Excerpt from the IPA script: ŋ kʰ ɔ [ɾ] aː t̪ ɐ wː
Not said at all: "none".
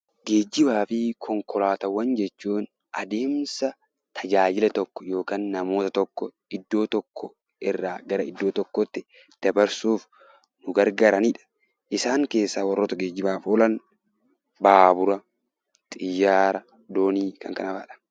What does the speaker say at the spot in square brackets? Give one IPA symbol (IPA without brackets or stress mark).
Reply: l